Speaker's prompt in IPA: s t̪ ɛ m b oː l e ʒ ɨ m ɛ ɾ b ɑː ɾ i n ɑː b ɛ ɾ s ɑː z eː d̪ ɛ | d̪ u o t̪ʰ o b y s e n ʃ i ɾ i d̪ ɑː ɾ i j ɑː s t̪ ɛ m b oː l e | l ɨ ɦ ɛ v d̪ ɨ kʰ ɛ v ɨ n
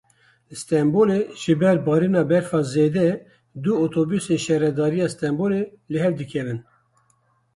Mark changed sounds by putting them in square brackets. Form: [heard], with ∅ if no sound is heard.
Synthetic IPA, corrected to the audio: s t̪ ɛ m b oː l e ʒ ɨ [b] ɛ ɾ b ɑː ɾ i n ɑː b ɛ ɾ [f] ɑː z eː d̪ ɛ | d̪ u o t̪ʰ o b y s e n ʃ [ɛ] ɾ [ɛ] d̪ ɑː ɾ i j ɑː s t̪ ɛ m b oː l e | l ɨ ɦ ɛ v d̪ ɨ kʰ ɛ v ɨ n